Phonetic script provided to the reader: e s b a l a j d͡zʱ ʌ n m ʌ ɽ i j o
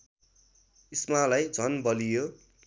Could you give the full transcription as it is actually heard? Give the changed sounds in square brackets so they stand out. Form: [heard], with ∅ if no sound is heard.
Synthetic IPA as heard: [i] s [m] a l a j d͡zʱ ʌ n [b] ʌ [l] i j o